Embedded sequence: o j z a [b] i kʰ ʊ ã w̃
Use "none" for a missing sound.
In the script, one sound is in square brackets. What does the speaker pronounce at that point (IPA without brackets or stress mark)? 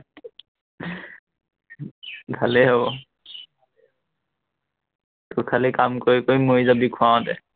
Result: b